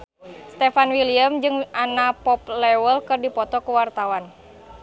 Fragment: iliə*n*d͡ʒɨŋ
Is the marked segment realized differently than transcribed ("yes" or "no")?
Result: yes